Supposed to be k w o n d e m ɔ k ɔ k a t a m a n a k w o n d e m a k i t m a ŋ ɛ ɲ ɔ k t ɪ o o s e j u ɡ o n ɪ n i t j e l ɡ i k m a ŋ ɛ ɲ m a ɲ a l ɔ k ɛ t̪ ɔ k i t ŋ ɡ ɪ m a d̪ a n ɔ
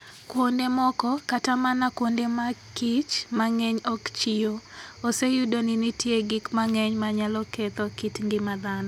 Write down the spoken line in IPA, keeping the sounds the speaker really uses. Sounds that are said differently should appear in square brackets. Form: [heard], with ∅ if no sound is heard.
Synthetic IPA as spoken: k w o n d e m ɔ k ɔ k a t a m a n a k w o n d e m a k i [t͡ʃ] m a ŋ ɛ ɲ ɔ k [t͡ʃ] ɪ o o s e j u [d] o n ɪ n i t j e [∅] ɡ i k m a ŋ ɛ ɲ m a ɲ a l ɔ k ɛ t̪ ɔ k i t ŋ ɡ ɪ m a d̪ a n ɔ